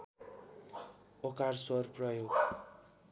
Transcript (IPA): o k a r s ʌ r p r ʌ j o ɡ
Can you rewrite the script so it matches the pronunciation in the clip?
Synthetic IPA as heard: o k a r s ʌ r p r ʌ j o ɡ